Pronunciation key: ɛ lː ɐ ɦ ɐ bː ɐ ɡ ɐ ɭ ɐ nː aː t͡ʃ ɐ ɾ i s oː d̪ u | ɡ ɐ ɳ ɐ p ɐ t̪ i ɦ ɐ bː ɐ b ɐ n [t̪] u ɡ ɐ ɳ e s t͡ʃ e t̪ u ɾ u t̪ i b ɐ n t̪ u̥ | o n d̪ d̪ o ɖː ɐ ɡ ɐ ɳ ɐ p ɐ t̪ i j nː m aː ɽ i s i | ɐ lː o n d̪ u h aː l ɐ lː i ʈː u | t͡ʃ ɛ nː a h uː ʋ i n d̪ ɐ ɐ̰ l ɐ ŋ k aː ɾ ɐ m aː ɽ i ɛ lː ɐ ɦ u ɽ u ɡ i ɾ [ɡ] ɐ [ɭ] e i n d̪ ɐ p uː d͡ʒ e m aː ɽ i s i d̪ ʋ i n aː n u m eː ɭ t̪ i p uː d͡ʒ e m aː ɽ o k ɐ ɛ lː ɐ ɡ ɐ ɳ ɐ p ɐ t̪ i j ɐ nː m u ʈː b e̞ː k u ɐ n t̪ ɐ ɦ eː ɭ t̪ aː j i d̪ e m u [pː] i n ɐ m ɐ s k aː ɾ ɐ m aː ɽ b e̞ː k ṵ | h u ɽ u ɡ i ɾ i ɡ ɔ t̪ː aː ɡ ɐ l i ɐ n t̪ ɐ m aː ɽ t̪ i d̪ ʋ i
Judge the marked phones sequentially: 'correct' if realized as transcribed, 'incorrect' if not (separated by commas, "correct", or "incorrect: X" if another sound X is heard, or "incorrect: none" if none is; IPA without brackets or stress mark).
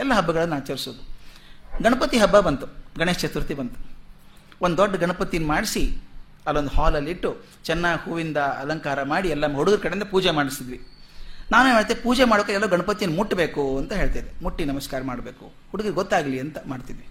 correct, incorrect: k, incorrect: ɽ, incorrect: ʈː